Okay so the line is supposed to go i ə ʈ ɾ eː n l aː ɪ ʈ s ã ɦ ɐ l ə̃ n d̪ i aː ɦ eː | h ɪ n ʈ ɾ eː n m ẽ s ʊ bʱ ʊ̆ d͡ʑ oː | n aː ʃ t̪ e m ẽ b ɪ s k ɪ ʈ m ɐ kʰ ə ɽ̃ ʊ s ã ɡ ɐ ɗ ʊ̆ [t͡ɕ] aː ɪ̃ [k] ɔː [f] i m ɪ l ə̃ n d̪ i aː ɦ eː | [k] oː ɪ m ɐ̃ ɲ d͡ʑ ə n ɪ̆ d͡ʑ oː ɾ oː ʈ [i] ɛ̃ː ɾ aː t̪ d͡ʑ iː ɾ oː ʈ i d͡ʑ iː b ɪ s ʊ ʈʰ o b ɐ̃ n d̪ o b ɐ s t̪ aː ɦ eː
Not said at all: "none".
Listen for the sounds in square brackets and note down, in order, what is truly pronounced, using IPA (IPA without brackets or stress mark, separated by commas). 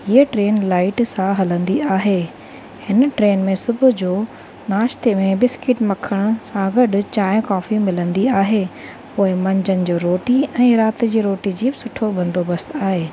t͡ɕ, k, f, p, i